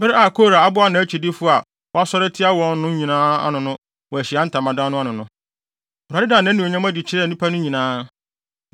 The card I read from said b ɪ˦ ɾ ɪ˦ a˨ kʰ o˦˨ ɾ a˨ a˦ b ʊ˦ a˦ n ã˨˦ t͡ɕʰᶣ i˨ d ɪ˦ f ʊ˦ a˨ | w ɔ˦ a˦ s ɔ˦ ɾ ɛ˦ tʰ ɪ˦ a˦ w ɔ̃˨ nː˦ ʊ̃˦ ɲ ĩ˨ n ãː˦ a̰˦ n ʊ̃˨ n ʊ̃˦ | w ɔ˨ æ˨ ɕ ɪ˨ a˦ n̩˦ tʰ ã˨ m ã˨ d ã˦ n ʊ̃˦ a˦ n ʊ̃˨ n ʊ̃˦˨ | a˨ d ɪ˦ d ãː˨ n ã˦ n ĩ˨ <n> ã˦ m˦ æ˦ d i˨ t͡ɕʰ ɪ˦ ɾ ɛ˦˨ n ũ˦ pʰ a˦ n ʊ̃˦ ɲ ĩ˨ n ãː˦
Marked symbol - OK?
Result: no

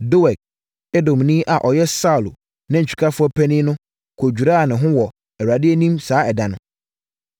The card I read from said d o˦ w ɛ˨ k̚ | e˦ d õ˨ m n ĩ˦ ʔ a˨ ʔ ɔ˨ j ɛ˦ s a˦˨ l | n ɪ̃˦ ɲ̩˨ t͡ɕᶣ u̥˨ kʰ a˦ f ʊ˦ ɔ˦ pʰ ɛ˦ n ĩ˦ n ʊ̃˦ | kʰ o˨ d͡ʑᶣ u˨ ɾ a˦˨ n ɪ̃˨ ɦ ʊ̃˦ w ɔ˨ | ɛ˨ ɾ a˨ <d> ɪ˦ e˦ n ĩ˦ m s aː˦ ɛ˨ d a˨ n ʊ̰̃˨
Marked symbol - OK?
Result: yes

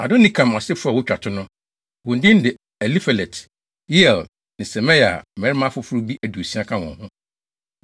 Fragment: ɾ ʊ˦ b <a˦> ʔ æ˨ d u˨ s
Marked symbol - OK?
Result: no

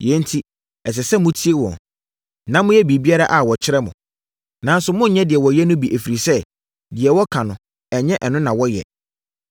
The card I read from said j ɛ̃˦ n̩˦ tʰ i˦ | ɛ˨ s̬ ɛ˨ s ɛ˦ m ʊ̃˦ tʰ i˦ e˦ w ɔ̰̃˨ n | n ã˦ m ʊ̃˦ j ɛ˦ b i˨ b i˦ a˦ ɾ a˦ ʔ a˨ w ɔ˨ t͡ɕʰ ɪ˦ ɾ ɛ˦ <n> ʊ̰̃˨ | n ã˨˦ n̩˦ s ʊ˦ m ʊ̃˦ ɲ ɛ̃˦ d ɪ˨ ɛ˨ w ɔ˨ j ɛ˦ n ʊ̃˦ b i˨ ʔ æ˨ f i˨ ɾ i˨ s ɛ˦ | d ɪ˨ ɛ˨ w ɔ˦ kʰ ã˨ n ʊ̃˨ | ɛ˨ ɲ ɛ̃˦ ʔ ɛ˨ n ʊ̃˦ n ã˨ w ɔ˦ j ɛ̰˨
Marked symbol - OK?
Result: no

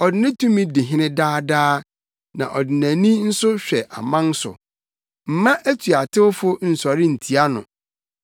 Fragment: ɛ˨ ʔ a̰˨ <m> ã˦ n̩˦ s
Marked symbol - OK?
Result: yes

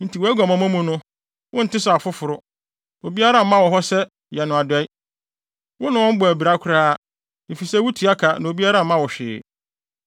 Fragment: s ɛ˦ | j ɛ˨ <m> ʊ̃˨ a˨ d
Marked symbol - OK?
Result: no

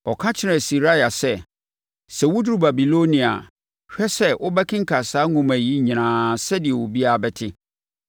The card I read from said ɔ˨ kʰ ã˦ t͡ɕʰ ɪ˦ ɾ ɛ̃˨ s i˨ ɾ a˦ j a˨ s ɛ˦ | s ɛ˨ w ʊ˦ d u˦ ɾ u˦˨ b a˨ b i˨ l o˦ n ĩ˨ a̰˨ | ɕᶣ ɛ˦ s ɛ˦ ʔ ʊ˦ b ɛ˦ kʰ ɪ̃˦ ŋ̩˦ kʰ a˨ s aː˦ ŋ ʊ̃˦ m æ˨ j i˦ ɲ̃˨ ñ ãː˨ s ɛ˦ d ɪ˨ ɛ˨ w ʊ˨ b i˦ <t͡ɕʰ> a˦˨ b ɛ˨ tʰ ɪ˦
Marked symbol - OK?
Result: no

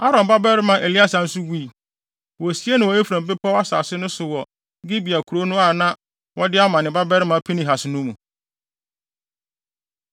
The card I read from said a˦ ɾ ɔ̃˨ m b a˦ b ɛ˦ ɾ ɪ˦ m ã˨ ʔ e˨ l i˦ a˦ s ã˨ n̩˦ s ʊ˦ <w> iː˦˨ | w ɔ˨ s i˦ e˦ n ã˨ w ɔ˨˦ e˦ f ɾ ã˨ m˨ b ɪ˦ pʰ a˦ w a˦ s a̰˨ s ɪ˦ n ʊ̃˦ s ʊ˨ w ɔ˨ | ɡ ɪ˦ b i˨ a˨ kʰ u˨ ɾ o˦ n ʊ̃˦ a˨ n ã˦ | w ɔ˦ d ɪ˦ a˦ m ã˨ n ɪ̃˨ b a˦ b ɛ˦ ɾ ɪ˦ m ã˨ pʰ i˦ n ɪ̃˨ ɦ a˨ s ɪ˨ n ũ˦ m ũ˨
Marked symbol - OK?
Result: yes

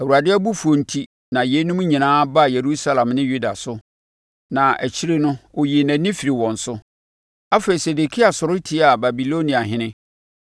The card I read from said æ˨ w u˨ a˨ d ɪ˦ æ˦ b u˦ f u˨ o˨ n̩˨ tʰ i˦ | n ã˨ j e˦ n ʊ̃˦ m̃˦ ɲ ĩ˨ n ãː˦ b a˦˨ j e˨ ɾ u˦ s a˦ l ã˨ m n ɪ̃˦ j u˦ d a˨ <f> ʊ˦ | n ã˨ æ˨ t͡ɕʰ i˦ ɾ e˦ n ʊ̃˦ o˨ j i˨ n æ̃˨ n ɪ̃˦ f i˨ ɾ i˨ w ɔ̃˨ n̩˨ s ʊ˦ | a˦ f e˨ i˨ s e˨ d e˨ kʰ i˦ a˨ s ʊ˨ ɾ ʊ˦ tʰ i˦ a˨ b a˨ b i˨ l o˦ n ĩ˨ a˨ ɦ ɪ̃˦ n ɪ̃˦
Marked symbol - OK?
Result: no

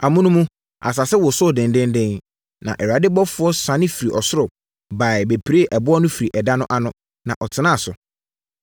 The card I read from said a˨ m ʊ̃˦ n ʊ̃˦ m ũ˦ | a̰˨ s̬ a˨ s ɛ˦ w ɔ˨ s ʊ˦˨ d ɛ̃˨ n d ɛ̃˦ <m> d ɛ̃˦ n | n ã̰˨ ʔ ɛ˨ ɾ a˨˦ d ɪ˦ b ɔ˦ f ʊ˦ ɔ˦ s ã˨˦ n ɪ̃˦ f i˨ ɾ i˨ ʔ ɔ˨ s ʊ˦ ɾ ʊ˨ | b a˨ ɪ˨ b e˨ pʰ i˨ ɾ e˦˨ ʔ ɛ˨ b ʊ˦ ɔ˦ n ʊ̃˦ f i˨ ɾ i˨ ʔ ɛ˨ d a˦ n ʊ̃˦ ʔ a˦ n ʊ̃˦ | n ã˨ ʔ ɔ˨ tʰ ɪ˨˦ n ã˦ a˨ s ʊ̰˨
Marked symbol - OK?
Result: no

